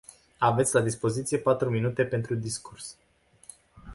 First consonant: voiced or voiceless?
voiced